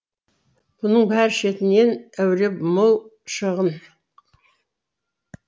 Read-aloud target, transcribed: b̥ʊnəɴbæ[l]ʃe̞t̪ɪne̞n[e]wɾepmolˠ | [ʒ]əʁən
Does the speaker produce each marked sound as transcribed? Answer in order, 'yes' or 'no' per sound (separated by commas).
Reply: no, no, no